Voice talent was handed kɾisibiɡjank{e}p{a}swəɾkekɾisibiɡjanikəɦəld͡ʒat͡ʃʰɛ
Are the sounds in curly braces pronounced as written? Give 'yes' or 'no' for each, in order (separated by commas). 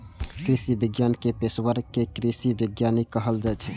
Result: yes, no